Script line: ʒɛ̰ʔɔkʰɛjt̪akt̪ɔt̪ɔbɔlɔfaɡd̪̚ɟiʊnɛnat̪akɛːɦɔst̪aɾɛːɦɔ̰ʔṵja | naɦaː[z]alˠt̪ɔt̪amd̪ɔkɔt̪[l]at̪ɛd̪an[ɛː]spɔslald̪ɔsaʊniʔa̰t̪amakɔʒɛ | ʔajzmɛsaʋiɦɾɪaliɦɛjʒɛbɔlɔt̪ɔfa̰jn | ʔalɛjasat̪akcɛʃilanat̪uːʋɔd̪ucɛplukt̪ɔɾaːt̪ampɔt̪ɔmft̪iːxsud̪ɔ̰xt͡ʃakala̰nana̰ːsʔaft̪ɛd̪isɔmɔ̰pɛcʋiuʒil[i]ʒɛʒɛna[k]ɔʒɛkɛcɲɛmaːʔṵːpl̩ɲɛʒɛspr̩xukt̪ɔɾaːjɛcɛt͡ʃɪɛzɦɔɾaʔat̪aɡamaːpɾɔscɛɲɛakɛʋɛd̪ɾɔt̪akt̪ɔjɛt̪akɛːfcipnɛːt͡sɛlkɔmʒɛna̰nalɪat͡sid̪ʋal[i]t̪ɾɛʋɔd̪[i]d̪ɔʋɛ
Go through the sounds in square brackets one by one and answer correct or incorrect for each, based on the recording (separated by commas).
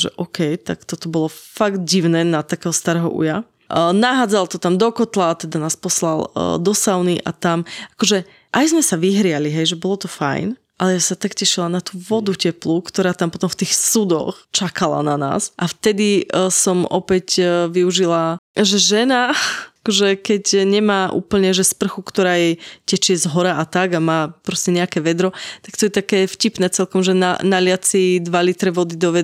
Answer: incorrect, correct, incorrect, incorrect, correct, correct, correct